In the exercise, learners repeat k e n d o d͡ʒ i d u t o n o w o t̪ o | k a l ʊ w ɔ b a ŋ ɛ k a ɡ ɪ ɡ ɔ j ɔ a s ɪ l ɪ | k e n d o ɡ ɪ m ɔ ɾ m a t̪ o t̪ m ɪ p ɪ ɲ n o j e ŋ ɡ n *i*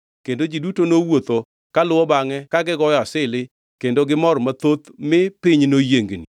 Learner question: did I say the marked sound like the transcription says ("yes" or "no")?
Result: yes